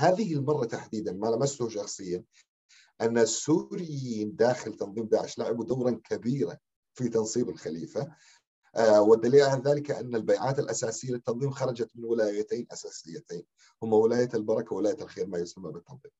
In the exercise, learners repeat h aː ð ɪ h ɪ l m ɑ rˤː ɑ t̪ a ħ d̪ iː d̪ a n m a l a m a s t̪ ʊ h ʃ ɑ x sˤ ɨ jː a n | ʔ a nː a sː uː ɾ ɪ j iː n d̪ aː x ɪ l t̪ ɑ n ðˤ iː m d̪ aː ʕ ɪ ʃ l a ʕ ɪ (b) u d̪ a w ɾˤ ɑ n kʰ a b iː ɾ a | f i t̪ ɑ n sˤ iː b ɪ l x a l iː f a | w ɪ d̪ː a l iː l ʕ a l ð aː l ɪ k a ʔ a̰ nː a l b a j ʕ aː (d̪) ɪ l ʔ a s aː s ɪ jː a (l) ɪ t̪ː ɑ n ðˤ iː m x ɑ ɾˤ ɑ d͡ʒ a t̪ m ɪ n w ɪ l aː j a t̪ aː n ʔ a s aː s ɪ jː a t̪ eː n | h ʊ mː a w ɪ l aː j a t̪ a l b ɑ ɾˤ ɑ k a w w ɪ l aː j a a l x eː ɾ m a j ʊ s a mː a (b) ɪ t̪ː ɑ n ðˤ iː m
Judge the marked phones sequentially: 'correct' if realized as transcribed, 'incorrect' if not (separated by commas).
correct, incorrect, correct, correct